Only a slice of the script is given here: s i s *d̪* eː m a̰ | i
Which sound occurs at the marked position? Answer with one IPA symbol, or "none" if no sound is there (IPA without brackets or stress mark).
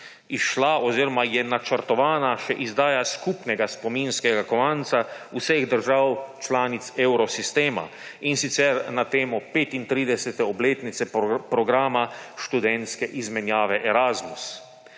t̪